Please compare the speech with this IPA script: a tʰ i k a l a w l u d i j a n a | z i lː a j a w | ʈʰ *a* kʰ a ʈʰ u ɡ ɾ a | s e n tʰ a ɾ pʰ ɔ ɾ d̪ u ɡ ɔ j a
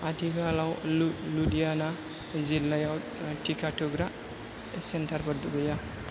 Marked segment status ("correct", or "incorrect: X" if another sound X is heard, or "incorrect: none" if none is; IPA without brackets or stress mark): incorrect: i